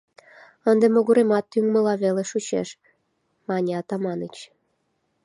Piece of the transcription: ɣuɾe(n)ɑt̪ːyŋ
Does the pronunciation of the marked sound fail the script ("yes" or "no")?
yes